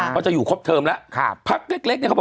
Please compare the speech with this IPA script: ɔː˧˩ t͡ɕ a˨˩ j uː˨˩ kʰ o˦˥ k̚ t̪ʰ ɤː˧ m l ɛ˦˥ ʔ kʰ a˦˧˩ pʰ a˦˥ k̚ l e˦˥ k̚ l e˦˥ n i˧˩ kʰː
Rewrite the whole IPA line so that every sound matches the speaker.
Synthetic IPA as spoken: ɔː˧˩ t͡ɕ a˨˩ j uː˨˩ kʰ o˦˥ p̚ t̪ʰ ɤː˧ m l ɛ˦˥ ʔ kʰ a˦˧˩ pʰ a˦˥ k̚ l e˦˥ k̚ l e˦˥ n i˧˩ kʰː